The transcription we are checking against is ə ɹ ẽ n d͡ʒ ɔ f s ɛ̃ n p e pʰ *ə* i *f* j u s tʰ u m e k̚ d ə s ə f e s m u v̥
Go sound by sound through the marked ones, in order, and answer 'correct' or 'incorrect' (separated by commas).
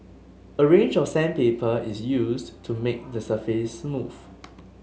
correct, incorrect